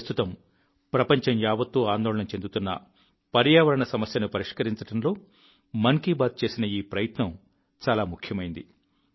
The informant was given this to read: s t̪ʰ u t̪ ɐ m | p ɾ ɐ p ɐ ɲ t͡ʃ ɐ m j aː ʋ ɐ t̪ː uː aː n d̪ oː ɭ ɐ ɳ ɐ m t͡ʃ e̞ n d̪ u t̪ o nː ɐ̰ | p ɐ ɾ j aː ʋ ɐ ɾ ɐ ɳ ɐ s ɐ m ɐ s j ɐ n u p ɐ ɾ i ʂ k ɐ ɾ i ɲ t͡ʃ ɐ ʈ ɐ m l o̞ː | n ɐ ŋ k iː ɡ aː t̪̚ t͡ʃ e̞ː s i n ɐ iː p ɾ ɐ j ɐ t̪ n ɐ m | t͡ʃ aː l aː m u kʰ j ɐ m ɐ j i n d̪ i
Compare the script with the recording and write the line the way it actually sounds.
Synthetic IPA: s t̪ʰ u t̪ ɐ m | p ɾ ɐ p ɐ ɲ t͡ʃ ɐ m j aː ʋ ɐ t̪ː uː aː n d̪ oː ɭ ɐ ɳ ɐ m t͡ʃ e̞ n d̪ u t̪ u nː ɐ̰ | p ɐ ɾ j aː ʋ ɐ ɾ ɐ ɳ ɐ s ɐ m ɐ s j ɐ n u p ɐ ɾ i ʂ k ɐ ɾ i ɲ t͡ʃ ɐ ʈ ɐ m l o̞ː | m ɐ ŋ k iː b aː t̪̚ t͡ʃ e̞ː s i n ɐ iː p ɾ ɐ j ɐ t̪ n ɐ m | t͡ʃ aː l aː m u kʰ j ɐ m ɐ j i n d̪ i